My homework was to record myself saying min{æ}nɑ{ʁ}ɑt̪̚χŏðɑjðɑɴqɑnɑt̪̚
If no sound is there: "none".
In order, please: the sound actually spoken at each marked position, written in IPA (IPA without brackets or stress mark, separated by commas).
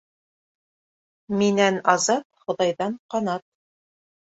æ, z